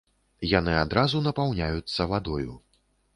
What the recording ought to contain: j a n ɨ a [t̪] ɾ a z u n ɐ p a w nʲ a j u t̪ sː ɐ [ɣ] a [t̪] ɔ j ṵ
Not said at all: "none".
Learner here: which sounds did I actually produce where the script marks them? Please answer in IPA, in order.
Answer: d̪, v, d̪

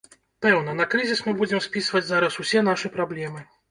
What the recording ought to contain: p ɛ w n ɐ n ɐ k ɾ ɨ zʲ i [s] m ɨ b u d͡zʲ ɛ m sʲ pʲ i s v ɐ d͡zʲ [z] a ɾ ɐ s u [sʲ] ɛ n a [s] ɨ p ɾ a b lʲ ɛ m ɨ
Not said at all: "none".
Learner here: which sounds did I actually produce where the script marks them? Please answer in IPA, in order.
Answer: s, z, sʲ, ʂ

